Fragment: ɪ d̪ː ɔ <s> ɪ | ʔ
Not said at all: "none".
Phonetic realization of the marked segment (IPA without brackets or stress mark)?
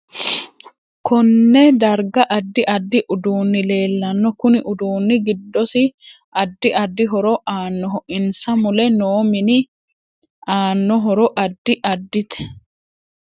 s